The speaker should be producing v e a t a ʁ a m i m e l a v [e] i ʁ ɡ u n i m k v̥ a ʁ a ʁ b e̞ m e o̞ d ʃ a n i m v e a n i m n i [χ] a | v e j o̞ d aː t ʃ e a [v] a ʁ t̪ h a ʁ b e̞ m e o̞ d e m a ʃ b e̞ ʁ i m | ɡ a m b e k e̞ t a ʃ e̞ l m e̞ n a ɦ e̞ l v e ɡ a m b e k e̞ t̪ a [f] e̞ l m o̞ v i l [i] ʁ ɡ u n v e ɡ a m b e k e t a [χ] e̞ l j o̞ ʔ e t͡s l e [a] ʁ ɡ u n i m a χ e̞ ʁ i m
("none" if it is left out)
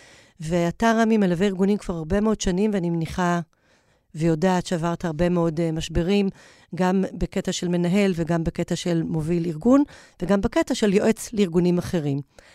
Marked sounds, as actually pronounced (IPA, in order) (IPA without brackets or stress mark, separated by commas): e, χ, v, ʃ, i, ʃ, i